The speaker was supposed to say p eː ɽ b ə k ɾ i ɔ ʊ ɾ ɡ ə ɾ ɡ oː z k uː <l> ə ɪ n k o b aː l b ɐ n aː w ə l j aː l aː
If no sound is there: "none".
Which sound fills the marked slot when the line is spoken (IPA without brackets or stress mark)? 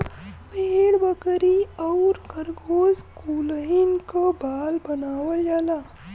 l